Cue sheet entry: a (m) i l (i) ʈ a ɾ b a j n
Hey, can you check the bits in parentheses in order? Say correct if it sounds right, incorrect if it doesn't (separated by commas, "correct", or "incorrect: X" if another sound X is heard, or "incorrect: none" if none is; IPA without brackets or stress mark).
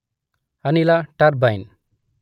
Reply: incorrect: n, incorrect: a